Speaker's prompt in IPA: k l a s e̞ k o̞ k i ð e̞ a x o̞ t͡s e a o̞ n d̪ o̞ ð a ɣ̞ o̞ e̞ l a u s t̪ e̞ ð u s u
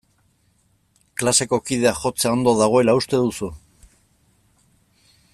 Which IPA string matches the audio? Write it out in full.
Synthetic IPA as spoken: k l a s e̞ k o̞ k i ð e̞ a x o̞ t͡s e a o̞ n d̪ o̞ ð a ɣ̞ o̞ e̞ l a u s t̪ e̞ ð u s u